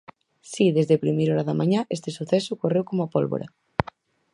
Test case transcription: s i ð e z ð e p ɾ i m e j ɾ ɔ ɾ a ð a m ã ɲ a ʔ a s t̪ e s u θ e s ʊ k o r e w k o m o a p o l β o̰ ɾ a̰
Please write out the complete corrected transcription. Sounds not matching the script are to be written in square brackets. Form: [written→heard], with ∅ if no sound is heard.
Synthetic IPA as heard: s i ð e z ð e p ɾ i m e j ɾ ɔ ɾ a ð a m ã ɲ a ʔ [a→e] s t̪ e s u θ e s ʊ k o r e w k o m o a p o l β o̰ ɾ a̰